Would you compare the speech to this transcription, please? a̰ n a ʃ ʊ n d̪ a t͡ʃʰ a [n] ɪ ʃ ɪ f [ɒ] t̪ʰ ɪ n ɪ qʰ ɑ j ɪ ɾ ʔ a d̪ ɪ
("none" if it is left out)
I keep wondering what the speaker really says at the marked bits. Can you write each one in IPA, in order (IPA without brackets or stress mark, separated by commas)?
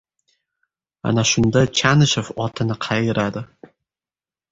n, ɒ